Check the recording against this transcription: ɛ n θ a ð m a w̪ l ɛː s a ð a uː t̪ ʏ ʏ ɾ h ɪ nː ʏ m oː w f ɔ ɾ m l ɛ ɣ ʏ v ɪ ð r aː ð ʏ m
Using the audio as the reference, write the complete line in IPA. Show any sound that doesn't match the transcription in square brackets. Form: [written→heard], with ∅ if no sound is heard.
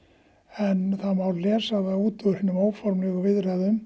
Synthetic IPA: ɛ n θ a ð m a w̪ l ɛː s a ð a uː t̪ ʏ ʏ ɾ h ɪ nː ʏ m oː w f ɔ ɾ m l ɛ ɣ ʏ v ɪ ð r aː ð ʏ m